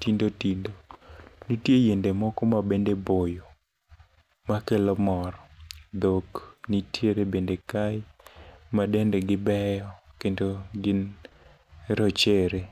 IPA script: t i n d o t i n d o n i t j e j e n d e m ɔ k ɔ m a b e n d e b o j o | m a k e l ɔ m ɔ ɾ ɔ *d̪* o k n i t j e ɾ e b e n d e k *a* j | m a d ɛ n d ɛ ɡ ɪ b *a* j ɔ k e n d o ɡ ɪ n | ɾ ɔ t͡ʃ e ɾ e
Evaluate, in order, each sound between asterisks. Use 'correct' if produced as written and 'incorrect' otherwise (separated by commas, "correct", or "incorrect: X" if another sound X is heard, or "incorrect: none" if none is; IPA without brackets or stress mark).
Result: correct, correct, incorrect: ɛ